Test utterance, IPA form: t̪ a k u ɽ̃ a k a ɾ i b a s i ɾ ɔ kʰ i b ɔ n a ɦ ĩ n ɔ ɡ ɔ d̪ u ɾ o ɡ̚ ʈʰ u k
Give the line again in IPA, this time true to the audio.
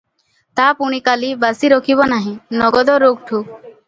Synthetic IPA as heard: t̪ a p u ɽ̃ i k a l i b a s i ɾ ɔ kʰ i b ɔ n a ɦ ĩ n ɔ ɡ ɔ d̪ ɔ ɾ o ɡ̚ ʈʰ u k

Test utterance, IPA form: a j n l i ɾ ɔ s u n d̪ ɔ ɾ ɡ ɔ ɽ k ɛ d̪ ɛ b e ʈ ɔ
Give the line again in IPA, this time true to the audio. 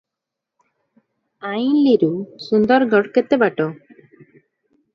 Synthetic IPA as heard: a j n l i ɾ u s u n d̪ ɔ ɾ ɡ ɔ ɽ k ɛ t̪ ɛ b a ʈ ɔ

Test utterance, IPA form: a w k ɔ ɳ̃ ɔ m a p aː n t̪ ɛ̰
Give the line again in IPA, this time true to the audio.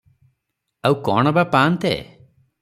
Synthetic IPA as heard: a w k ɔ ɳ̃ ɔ b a p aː n t̪ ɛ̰

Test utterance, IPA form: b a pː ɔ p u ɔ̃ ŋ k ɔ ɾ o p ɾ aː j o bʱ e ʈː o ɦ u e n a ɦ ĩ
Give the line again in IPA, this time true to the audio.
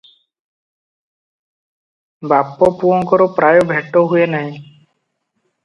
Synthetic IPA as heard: b a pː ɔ p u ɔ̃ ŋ k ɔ ɾ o p ɾ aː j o bʱ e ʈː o ɦ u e n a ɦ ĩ

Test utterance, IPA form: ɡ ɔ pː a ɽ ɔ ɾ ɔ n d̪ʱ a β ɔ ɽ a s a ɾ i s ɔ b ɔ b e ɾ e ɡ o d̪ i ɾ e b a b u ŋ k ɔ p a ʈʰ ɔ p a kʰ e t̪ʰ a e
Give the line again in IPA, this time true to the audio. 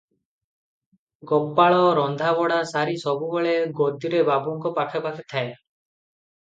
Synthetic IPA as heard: ɡ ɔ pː a ɭ ɔ ɾ ɔ n d̪ʱ a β ɔ ɽ a s a ɾ i s ɔ b u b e ɭ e ɡ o d̪ i ɾ e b a b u ŋ k ɔ p a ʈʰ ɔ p a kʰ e t̪ʰ a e

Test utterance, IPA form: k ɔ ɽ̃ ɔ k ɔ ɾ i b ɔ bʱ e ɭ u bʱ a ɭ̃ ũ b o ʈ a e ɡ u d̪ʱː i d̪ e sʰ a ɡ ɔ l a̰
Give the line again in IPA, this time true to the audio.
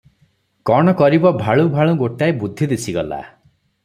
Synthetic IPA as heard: k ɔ ɽ̃ ɔ k ɔ ɾ i b ɔ bʱ a ɭ u bʱ a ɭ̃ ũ ɡ o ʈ a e b u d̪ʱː i d̪ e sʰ i ɡ ɔ l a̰

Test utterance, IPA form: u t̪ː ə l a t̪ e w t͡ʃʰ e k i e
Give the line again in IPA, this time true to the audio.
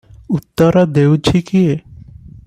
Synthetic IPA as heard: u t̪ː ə ɾ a d̪ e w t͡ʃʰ i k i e

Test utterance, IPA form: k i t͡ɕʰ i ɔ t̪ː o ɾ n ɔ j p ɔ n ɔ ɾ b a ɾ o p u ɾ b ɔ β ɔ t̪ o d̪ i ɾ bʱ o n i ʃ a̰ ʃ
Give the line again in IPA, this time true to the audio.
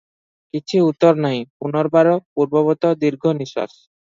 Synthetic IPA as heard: k i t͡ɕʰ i u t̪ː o ɾ n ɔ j p u n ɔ ɾ b a ɾ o p u ɾ b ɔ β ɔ t̪ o d̪ i ɾ ɡʱ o n i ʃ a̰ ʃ

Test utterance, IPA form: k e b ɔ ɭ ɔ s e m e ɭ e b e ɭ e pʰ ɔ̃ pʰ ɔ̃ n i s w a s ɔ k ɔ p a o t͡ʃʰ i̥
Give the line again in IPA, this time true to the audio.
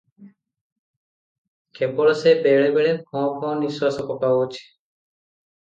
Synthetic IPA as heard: k e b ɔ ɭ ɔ s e b e ɭ e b e ɭ e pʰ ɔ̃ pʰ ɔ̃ n i s w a s ɔ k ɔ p a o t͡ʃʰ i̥

